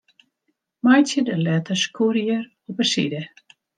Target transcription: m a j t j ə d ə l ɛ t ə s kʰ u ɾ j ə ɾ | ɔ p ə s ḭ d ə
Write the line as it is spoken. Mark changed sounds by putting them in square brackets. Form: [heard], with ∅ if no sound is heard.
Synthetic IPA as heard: m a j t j ə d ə l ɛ t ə s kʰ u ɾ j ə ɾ | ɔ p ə s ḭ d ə